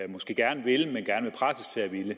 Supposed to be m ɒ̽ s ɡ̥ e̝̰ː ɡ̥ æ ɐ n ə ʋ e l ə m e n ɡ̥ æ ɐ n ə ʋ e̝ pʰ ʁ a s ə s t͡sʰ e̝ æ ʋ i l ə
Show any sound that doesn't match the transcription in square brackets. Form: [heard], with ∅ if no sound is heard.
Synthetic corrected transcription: m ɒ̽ s ɡ̥ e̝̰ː ɡ̥ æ ɐ n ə ʋ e l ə m e n ɡ̥ æ ɐ n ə ʋ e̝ pʰ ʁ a s ə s t͡sʰ e̝ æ ʋ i l ə